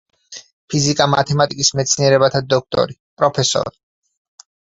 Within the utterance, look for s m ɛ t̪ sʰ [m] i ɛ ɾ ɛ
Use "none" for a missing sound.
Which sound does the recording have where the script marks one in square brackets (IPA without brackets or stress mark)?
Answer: n